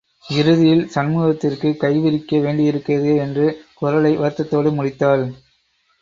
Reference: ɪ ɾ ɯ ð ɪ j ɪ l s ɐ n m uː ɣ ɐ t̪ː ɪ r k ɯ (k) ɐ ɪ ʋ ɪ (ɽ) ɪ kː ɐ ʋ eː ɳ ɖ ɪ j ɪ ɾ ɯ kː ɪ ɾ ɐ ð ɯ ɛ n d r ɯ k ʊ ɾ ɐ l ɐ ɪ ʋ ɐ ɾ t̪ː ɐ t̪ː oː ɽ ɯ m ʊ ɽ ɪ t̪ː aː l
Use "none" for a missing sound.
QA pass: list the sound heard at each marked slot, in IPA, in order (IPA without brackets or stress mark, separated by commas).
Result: k, ɾ